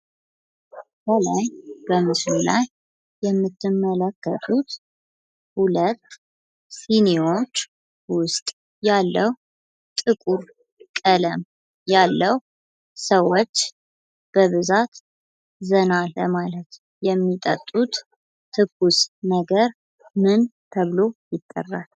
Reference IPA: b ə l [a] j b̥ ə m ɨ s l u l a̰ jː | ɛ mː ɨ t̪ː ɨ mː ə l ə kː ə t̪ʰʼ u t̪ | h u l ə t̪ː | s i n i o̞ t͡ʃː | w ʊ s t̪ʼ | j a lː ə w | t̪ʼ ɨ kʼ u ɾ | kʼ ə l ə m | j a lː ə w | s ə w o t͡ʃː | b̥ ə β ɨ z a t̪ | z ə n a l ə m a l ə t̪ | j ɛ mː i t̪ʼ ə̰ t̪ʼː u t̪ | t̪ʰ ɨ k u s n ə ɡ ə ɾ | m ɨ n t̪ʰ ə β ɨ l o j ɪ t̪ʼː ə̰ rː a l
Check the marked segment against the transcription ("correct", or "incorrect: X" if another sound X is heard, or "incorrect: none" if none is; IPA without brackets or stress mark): correct